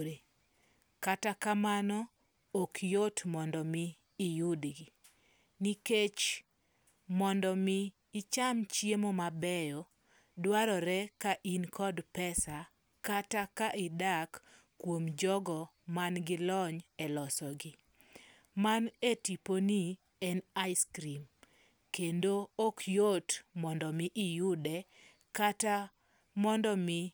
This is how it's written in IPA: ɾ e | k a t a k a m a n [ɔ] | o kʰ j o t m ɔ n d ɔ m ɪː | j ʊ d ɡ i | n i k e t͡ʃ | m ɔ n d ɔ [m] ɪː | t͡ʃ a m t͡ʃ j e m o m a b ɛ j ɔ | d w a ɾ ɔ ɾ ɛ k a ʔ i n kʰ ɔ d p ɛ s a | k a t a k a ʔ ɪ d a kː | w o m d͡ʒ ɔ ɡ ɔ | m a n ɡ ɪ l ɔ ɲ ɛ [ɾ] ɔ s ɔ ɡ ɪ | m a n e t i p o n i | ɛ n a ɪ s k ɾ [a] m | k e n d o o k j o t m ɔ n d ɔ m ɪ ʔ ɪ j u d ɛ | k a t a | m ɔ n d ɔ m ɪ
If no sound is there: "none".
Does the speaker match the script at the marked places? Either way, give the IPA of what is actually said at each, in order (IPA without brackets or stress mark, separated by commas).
ɔ, m, l, i